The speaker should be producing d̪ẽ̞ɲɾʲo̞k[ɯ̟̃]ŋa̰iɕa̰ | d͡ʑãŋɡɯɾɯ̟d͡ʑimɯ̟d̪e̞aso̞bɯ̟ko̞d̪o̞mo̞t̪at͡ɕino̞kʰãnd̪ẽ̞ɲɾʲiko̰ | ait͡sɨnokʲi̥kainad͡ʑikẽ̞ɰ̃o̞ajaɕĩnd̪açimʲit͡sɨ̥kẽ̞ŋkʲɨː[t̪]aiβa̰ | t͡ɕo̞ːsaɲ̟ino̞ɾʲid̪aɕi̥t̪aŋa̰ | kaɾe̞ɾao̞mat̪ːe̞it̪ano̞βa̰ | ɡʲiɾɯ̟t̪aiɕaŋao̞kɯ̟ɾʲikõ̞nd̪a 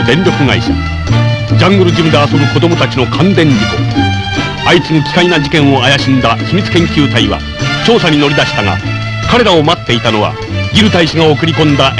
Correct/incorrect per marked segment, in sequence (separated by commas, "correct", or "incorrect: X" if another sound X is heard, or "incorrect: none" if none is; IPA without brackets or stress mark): incorrect: ɯ̟, correct